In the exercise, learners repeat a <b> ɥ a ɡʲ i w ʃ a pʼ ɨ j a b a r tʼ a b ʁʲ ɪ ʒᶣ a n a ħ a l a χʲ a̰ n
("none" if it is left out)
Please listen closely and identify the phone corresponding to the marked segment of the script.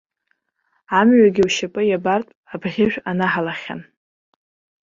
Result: m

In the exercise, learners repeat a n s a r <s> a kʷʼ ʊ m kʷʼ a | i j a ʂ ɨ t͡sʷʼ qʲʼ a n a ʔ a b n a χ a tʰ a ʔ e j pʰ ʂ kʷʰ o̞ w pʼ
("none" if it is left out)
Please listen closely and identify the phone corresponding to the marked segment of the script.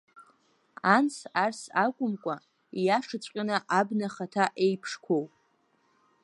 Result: s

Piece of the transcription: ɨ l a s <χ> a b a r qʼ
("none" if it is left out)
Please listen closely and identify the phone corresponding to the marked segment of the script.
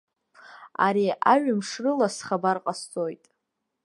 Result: χ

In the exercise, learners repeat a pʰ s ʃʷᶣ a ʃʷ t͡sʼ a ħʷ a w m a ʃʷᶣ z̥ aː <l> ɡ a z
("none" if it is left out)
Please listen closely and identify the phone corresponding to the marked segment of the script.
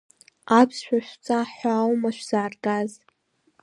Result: r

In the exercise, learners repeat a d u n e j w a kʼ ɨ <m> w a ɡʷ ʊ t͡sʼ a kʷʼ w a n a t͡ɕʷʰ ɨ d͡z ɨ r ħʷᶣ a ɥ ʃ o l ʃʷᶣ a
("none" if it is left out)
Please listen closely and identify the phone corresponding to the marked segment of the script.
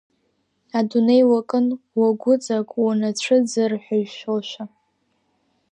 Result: n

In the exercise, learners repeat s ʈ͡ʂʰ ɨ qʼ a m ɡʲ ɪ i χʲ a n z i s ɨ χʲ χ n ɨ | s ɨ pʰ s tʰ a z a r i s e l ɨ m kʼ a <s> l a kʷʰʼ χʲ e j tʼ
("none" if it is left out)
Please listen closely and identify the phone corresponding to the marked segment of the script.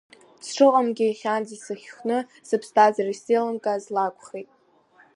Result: z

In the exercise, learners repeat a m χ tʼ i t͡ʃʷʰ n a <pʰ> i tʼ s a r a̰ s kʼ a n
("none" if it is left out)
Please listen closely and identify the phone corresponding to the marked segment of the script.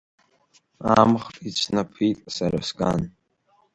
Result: pʰ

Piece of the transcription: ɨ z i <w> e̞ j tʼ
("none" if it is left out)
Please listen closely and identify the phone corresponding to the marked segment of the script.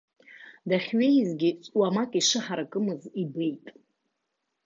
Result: b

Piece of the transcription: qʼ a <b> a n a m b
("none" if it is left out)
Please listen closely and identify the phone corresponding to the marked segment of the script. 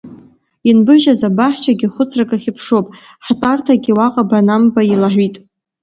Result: b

